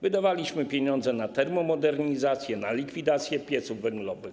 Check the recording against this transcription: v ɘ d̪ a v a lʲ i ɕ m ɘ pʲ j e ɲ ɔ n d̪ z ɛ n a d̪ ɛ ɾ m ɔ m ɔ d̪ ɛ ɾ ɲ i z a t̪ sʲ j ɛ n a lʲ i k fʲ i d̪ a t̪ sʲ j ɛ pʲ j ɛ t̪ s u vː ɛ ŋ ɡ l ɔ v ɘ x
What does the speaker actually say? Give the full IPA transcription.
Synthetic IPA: v ɘ d̪ a v a lʲ i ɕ m ɘ pʲ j e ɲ ɔ n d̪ z ɛ n a t̪ ɛ ɾ m ɔ m ɔ d̪ ɛ ɾ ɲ i z a t̪ sʲ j ɛ n a lʲ i k fʲ i d̪ a t̪ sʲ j ɛ pʲ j ɛ t̪ s u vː ɛ ŋ ɡ l ɔ v ɘ x